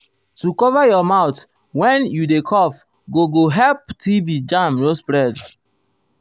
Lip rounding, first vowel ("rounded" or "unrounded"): rounded